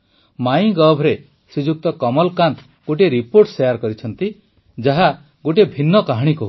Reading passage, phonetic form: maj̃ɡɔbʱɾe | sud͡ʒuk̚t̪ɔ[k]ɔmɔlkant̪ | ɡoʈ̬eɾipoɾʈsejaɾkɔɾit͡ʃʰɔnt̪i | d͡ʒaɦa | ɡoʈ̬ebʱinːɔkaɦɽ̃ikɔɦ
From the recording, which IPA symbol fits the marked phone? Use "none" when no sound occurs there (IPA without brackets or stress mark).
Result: k